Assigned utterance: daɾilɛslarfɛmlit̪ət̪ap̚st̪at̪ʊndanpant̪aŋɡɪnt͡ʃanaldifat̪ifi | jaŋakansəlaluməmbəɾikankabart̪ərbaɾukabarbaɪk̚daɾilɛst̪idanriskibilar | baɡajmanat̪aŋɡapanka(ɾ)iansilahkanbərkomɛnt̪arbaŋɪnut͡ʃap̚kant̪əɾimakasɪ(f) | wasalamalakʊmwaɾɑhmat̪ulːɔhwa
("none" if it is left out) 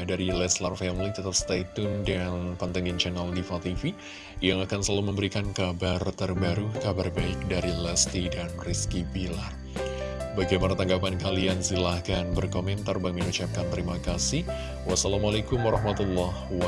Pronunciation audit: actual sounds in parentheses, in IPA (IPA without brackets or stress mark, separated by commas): l, h